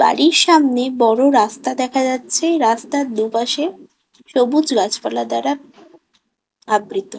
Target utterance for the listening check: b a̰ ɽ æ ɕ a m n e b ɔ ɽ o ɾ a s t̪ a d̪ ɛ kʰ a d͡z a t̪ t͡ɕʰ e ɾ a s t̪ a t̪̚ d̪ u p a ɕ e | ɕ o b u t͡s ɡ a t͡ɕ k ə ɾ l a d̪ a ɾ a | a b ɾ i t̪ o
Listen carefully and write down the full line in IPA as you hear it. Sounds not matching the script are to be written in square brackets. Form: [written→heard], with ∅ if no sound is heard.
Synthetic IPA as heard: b a̰ ɽ [æ→i] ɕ a m n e b ɔ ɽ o ɾ a s t̪ a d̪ ɛ kʰ a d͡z a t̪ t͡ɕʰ e ɾ a s t̪ a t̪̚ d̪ u p a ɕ e | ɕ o b u t͡s ɡ a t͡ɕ [k→p] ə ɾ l a d̪ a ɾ a | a b ɾ i t̪ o